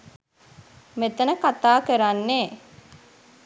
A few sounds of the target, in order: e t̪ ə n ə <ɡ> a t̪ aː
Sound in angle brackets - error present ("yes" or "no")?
yes